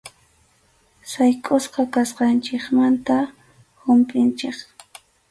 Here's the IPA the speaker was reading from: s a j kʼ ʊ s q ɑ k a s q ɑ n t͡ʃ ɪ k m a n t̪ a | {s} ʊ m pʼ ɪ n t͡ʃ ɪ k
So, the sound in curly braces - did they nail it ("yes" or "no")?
no